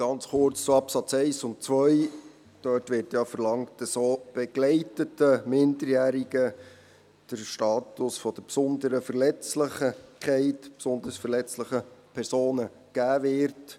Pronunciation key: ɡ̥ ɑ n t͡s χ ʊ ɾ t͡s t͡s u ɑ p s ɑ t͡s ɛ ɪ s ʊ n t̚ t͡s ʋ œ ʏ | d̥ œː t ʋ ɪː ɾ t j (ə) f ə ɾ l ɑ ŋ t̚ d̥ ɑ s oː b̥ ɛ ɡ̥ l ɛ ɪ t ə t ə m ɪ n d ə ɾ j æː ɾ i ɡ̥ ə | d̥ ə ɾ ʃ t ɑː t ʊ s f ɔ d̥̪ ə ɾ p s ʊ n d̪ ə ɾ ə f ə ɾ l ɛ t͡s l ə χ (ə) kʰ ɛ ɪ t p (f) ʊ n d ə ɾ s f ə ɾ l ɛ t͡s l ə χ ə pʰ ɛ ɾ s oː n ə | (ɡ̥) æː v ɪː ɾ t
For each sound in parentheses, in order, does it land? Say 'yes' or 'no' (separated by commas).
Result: no, yes, no, yes